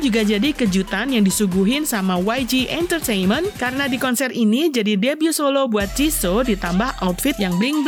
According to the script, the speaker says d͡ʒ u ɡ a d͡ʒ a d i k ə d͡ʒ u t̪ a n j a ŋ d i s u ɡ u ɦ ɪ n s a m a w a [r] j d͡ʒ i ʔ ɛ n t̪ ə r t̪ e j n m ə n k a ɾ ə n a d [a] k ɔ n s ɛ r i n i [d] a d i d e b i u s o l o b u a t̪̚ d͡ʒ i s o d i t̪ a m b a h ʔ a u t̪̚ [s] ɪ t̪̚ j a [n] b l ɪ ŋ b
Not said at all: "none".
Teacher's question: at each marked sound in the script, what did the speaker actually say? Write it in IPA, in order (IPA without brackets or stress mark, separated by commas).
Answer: none, i, d͡ʒ, f, ŋ